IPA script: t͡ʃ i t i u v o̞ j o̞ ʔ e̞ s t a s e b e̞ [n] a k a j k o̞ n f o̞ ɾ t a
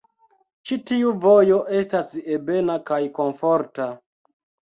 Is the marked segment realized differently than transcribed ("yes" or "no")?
no